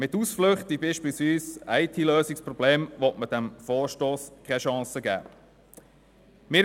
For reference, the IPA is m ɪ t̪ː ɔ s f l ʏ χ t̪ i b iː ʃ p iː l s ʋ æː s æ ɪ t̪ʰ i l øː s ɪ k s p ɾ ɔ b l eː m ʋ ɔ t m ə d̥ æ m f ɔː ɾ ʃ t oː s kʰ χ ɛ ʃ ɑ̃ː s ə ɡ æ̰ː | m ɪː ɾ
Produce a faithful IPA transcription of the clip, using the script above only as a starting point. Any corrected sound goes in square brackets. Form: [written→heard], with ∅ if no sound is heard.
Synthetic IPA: m ɪ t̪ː [ɔ→u] s f l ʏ χ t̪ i b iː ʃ p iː l s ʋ [æː→iː] s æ ɪ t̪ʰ i l øː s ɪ k s p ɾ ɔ b l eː m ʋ ɔ t m ə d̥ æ m f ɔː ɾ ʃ t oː s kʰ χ ɛ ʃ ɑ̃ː s ə ɡ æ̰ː | m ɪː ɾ